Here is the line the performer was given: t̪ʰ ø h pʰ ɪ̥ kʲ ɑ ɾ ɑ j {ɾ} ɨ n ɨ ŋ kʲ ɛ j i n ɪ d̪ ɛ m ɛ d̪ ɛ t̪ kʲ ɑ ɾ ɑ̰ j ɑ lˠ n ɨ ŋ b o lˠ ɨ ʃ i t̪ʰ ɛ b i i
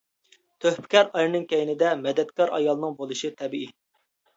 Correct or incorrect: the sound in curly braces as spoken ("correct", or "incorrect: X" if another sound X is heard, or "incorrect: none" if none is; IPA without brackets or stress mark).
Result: correct